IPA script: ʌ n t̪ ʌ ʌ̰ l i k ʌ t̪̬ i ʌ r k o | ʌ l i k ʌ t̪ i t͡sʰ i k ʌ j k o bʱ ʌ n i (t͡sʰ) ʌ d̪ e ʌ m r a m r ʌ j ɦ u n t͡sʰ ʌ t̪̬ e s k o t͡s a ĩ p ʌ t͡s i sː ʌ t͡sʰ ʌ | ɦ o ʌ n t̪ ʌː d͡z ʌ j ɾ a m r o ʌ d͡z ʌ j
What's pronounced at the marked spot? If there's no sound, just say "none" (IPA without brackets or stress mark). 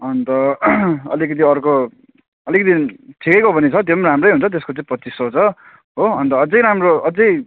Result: t͡sʰ